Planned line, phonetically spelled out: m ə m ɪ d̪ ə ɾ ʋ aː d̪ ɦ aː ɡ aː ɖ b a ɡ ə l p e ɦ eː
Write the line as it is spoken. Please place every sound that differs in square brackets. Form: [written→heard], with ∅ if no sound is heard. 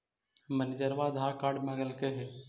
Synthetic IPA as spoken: m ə [m→n] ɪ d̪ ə ɾ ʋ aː d̪ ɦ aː [ɡ→k] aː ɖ [b→m] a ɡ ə l [p→k] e ɦ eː